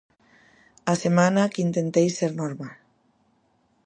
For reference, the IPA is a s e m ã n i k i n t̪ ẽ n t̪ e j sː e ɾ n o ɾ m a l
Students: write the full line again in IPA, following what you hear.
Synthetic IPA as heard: a s e m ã n a k i n t̪ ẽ n t̪ e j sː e ɾ n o ɾ m a l

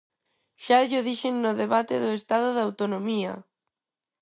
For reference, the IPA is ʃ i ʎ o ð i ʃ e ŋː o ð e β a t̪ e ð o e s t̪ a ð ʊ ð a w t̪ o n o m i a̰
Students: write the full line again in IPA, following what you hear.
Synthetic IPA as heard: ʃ a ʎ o ð i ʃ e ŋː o ð e β a t̪ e ð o e s t̪ a ð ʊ ð a w t̪ o n o m i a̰

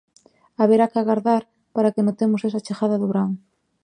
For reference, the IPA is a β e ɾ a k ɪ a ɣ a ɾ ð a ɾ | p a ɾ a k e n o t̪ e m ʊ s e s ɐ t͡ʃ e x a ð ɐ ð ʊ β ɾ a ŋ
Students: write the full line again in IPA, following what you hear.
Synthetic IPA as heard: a β e ɾ a k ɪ a ɣ a ɾ ð a ɾ | p a ɾ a k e n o t̪ e m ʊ s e s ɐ t͡ʃ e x a ð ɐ ð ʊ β ɾ a ŋ

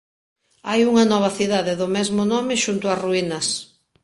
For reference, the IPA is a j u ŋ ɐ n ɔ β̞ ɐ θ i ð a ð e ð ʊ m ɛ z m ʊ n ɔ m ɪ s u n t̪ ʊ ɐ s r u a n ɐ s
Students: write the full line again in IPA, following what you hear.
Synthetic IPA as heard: a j u ŋ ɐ n ɔ β̞ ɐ θ i ð a ð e ð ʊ m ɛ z m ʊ n ɔ m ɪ ʃ u n t̪ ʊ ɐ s r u i n ɐ s

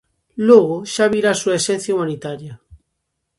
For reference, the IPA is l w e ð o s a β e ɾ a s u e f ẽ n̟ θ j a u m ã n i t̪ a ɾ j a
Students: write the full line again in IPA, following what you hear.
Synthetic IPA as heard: l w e ɣ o ʃ a β i ɾ a s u e s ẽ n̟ θ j a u m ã n i t̪ a ɾ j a

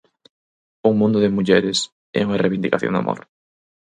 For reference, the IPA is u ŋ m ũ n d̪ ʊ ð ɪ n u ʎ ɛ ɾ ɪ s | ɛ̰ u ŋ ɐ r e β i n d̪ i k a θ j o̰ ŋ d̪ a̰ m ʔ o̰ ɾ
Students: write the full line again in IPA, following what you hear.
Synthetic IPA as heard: u ŋ m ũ n d̪ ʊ ð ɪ m u ʎ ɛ ɾ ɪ s | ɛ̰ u ŋ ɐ r e β i n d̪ i k a θ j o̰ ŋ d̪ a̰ m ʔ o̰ ɾ

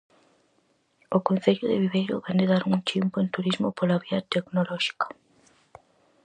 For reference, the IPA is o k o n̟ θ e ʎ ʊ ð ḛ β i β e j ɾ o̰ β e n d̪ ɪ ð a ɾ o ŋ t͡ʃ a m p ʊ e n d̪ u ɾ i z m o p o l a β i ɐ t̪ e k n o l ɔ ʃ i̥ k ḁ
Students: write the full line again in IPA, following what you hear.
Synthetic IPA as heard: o k o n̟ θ e ʎ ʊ ð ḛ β i β e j ɾ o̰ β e n d̪ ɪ ð a ɾ u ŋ t͡ʃ i m p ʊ e n t̪ u ɾ i z m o p o l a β i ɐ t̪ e k n o l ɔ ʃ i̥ k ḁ

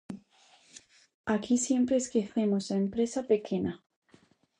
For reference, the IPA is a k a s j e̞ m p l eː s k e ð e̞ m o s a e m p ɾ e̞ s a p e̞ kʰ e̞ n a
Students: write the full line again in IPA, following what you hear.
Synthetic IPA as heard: a k i s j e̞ m p ɾ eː s k e θ e̞ m o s a e m p ɾ e̞ s a p e̞ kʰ e̞ n a

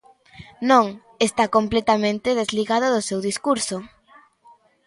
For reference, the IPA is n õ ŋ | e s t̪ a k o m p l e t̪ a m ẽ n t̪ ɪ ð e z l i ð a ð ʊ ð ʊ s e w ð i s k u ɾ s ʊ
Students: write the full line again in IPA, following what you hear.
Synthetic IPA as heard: n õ ŋ | e s t̪ a k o m p l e t̪ a m ẽ n t̪ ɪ ð e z l i ɣ a ð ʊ ð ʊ s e w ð i s k u ɾ s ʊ

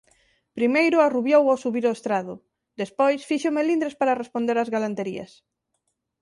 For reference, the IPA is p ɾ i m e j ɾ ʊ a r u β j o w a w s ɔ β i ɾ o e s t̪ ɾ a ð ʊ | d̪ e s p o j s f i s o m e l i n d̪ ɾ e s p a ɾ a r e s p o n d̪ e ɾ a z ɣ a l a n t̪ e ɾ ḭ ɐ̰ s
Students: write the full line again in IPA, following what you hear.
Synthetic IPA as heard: p ɾ i m e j ɾ ʊ a r u β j o w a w s u β i ɾ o e s t̪ ɾ a ð ʊ | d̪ e s p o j s f i ʃ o m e l i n d̪ ɾ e s p a ɾ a r e s p o n d̪ e ɾ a z ɣ a l a n t̪ e ɾ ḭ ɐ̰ s

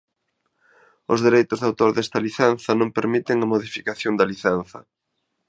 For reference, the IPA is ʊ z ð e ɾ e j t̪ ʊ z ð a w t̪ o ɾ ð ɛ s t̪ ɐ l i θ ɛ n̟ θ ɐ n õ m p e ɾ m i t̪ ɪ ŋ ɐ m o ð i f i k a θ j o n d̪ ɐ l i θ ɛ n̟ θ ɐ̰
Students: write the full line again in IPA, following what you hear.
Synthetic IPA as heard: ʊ z ð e ɾ e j t̪ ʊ z ð a w t̪ o ɾ ð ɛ s t̪ ɐ l i θ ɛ n̟ θ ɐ n õ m p e ɾ m i t̪ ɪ ŋ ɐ m o ð i f i k a θ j o n d̪ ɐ l i θ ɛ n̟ θ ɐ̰

